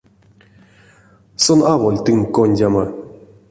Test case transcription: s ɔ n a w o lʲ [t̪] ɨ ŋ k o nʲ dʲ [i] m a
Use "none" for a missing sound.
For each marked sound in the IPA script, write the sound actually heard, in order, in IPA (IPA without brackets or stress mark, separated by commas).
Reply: t̪, a